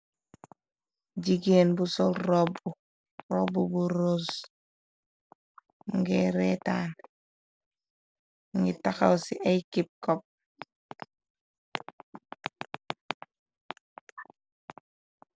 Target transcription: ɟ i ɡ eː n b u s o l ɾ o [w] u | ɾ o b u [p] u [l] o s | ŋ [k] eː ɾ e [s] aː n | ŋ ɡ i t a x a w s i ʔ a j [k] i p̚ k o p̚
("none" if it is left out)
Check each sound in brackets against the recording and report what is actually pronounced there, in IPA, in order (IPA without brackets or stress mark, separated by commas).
b, b, ɾ, ɡ, t, k